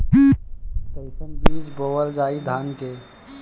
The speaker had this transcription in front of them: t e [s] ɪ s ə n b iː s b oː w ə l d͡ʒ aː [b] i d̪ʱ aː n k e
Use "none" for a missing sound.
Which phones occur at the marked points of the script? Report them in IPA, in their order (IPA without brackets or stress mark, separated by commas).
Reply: none, none